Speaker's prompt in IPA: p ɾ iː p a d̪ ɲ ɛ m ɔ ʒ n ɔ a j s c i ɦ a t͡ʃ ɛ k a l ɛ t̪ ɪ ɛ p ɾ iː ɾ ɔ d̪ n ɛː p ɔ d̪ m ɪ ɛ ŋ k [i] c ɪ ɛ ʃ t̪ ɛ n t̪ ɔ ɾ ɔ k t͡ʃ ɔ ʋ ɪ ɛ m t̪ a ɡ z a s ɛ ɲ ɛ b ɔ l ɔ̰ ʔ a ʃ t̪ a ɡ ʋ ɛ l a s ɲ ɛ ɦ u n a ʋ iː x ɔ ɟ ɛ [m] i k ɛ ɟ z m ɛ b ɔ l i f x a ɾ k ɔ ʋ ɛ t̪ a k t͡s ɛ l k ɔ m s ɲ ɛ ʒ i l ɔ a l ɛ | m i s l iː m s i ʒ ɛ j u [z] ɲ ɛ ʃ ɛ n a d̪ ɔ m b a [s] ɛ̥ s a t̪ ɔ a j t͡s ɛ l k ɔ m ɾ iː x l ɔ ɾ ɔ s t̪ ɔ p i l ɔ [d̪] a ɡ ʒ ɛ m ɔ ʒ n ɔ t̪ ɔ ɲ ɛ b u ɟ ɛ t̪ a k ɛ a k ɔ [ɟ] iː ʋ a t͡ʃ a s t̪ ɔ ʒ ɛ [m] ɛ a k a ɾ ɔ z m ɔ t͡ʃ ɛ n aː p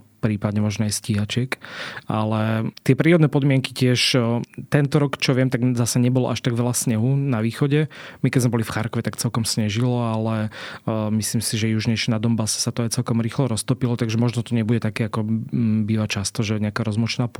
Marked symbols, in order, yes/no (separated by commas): yes, yes, no, yes, no, no, no